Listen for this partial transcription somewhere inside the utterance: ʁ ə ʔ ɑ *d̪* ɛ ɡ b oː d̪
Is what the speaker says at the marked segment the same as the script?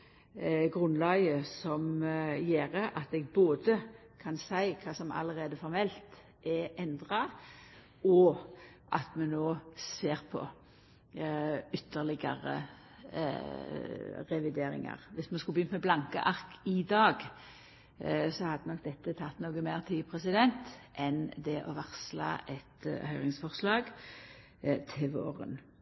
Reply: no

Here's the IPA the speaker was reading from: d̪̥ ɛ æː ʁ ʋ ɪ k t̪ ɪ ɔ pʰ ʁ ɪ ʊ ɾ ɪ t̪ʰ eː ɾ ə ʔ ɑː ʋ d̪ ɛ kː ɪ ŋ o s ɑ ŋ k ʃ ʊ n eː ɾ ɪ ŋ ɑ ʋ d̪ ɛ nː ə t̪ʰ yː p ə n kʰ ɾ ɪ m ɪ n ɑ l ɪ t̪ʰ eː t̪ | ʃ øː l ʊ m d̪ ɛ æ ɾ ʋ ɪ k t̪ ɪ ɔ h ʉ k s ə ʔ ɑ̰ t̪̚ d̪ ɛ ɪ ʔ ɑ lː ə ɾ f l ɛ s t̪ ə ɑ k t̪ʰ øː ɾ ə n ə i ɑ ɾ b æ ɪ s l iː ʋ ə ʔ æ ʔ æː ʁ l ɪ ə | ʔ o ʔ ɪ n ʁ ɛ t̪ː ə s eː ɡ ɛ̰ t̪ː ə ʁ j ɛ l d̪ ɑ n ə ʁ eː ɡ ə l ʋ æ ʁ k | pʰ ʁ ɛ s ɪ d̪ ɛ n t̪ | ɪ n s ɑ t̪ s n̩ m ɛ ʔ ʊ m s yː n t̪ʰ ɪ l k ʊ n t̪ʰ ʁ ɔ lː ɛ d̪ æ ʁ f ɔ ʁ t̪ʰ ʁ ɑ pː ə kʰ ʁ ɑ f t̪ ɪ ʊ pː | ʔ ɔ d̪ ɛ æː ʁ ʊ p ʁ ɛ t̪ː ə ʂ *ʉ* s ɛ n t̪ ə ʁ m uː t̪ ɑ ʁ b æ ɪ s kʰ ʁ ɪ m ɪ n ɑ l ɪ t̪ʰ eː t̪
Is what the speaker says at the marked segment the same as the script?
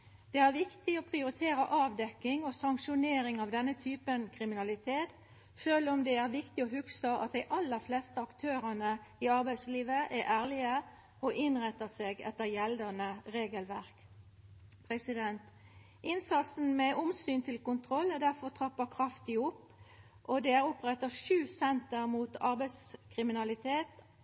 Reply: no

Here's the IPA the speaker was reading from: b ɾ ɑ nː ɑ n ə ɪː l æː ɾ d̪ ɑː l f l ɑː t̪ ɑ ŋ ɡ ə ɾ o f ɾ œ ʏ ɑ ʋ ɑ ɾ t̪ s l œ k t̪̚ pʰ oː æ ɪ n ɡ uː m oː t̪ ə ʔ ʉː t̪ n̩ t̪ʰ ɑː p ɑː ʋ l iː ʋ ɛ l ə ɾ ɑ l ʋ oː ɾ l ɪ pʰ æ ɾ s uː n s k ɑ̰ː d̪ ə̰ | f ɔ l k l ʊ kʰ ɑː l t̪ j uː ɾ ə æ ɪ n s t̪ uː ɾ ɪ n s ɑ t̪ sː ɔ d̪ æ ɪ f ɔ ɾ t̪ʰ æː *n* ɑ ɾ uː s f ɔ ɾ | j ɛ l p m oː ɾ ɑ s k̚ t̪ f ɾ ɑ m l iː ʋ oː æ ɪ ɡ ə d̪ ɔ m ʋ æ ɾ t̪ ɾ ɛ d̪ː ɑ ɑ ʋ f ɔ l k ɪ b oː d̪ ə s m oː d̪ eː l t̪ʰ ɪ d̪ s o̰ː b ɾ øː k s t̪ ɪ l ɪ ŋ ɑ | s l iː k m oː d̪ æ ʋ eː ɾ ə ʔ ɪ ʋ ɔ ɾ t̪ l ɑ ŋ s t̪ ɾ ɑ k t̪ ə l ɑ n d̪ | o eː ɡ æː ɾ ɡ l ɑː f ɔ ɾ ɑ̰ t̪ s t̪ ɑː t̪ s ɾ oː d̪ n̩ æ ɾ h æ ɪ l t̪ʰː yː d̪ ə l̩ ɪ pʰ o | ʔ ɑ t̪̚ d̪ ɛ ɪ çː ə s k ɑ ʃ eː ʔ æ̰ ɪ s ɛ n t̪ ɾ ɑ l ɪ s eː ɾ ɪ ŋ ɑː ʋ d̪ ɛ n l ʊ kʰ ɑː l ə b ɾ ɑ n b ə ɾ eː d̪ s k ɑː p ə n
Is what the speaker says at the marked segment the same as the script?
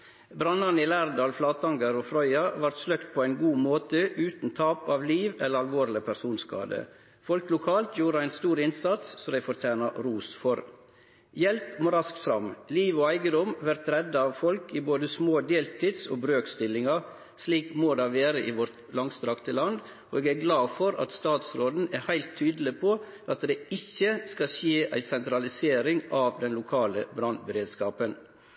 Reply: yes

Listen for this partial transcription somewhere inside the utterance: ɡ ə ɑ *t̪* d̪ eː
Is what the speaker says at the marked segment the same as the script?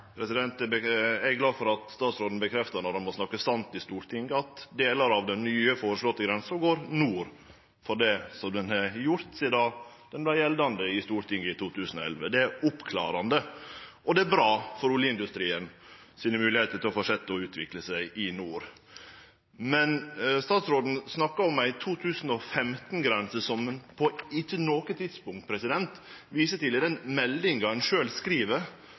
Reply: yes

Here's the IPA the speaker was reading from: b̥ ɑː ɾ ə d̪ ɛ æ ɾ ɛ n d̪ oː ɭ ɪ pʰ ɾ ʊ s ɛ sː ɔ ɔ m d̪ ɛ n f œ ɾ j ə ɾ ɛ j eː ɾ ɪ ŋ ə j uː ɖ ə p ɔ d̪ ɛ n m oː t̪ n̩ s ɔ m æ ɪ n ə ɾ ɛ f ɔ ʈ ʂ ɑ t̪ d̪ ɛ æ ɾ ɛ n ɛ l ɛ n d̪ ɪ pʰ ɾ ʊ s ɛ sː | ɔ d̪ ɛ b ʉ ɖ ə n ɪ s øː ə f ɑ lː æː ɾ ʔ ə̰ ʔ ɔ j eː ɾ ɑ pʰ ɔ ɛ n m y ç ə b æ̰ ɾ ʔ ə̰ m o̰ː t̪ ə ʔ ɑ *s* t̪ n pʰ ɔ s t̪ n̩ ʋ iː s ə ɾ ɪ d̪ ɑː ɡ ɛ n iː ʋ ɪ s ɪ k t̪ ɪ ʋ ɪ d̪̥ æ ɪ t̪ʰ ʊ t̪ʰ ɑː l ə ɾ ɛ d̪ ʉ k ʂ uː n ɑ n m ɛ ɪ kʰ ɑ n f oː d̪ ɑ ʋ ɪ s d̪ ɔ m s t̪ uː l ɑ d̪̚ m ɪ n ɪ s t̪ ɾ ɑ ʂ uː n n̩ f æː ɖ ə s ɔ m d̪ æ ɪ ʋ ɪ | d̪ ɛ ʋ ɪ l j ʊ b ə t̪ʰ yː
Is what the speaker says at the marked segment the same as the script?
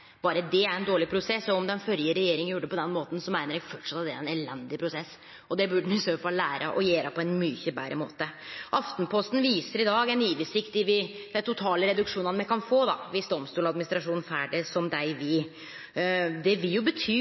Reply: no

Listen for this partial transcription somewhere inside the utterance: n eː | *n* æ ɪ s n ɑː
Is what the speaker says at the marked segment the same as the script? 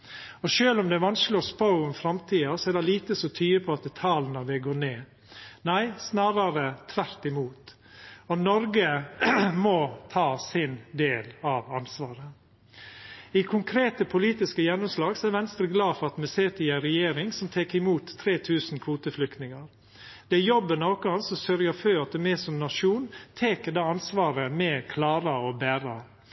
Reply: yes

